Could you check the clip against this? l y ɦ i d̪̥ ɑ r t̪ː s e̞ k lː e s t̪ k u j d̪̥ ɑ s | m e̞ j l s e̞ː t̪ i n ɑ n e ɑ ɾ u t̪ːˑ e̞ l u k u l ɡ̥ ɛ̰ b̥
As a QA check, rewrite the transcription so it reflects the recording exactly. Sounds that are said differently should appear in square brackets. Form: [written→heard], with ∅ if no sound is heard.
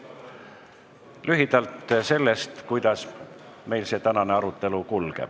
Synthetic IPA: l y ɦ i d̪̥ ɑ [r→l] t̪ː s e̞ [k→∅] lː e s t̪ k u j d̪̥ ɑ s | m e̞ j l s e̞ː t̪ [i→æ] n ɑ n e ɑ ɾ u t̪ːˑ e̞ l u k u l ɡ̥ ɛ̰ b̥

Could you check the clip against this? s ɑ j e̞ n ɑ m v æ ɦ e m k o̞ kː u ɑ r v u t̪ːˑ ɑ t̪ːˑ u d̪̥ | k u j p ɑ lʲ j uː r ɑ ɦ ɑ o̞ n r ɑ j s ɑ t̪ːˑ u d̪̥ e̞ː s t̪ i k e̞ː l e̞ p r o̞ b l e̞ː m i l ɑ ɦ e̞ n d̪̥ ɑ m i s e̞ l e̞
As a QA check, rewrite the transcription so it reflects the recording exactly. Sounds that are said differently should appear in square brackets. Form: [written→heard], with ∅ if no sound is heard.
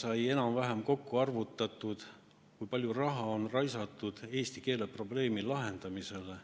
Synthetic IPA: s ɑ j e̞ n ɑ m v æ ɦ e m k o̞ kː u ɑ r v u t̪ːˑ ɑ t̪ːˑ u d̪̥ | k u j p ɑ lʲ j [uː→u] r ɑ ɦ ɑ o̞ n r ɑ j s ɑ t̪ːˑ u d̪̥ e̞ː s t̪ i k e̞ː l e̞ p r o̞ b l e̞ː m i l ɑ ɦ e̞ n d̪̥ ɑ m i s e̞ l e̞

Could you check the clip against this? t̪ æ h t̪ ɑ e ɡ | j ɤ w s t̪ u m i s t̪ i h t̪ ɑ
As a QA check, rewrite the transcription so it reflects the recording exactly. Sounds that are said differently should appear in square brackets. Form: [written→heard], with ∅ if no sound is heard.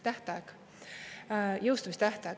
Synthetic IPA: t̪ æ h t̪ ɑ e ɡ | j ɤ w s t̪ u m i s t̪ [i→æ] h t̪ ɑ

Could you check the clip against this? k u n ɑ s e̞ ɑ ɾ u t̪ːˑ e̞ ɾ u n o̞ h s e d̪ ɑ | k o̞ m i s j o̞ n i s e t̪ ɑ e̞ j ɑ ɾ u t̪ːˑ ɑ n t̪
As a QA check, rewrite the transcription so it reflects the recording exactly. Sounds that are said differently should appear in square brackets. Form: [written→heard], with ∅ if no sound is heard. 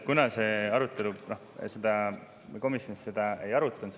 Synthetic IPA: k u n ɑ s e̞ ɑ ɾ u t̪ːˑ e̞ [ɾ→l] u n o̞ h s e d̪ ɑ | k o̞ m i s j o̞ n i s e [t̪→d̪] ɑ e̞ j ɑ ɾ u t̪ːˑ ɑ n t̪

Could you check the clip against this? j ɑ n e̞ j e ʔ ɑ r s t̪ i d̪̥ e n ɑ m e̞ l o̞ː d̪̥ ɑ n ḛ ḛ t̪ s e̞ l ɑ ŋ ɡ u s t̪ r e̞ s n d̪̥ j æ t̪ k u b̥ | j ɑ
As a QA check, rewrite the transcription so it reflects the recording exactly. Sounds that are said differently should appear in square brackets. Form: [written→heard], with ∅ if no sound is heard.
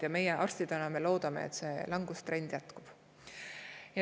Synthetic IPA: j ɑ [n→m] e̞ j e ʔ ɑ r s t̪ i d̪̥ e n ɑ m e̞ l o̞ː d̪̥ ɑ [n→m] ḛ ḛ t̪ s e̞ l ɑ ŋ ɡ u s t̪ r e̞ [s→∅] n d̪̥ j æ t̪ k u b̥ | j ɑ

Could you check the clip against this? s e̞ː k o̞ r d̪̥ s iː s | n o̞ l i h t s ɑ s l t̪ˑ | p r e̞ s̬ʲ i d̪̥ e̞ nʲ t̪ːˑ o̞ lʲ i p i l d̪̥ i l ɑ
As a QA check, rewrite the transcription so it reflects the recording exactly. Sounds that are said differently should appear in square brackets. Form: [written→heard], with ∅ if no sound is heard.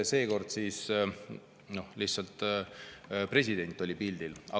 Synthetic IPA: s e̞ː k o̞ r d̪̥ s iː s | n o̞ l i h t s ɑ [s→∅] l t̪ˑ | p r e̞ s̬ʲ i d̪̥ e̞ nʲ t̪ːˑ o̞ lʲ i p i l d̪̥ i l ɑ

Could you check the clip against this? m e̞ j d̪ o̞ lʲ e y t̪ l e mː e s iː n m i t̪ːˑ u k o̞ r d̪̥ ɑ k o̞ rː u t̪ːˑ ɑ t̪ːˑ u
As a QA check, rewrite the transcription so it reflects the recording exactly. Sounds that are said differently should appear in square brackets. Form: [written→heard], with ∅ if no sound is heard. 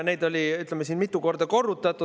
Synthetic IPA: [m→n] e̞ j d̪ o̞ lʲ [e→i] y t̪ l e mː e s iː n m i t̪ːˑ u k o̞ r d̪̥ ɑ k o̞ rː u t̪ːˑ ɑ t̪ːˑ u

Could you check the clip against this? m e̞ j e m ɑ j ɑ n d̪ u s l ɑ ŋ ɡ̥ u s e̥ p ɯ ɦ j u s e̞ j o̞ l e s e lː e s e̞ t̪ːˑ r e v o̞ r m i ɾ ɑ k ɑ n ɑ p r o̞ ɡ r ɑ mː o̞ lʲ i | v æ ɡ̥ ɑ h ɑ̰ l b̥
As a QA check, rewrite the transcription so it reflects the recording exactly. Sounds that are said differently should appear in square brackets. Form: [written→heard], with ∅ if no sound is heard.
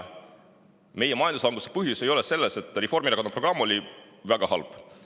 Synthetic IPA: m e̞ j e m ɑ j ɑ n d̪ u s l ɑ ŋ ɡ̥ u s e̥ p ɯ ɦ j u s e̞ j o̞ l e s e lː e s e̞ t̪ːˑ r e [v→f] o̞ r m i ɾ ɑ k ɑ n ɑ p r o̞ ɡ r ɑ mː o̞ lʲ i | v æ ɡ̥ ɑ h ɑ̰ l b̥

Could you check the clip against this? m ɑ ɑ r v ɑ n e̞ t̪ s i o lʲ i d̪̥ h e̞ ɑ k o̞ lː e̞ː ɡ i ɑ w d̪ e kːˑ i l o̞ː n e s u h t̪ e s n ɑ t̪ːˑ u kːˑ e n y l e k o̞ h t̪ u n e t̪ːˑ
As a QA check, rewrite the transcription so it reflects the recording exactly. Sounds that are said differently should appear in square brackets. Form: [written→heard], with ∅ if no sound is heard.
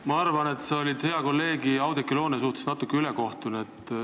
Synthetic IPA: m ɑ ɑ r v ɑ n e̞ t̪ s [i→e] o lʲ i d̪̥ h e̞ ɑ k o̞ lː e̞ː ɡ i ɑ w d̪ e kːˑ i l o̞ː n e s u h t̪ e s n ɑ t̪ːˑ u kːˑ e [n→∅] y l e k o̞ h t̪ u n e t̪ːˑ

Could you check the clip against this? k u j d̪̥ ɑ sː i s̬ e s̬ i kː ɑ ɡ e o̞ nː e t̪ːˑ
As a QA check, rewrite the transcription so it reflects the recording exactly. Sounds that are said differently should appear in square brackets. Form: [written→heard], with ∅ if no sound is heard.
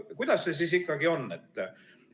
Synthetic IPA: k u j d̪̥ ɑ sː [i→e] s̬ [e→i] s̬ i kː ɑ ɡ [e→i] o̞ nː e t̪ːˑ

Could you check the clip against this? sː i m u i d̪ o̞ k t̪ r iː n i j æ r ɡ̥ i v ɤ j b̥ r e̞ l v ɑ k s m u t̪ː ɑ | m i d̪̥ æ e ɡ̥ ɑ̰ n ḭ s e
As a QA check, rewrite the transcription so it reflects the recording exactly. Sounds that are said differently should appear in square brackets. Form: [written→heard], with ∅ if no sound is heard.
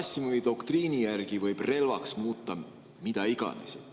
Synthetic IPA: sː i m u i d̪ o̞ k t̪ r iː n i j æ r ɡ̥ i v ɤ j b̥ r e̞ l v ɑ k s m [u→uː] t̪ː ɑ | m i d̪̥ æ [e→i] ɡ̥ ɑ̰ n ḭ s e

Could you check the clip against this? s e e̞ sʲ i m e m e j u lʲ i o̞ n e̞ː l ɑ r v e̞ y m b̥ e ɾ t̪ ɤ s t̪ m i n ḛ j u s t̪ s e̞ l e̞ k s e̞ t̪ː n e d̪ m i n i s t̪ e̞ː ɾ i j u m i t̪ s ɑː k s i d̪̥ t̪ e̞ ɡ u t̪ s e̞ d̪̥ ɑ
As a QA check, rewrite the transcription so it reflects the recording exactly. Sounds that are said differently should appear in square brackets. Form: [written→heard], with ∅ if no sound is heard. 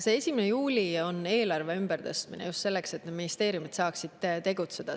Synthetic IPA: s e e̞ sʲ i m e [m→n] e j [u→uː] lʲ i o̞ n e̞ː l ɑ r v e̞ y m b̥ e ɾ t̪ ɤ s t̪ m i n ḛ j u s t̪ s e̞ [l→lː] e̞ k s e̞ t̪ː n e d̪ m i n i s t̪ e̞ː ɾ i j u m i t̪ s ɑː k s i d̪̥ t̪ e̞ ɡ u t̪ s e̞ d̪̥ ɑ

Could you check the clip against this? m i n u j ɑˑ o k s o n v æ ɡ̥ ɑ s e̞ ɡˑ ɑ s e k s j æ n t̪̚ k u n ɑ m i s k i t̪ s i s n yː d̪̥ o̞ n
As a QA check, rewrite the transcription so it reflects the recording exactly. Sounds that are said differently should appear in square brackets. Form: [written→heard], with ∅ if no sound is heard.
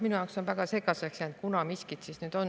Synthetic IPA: m i n u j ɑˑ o k s o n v æ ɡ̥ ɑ s e̞ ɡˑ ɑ s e k s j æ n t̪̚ k u n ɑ m i s k i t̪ s i s n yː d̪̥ o̞ n

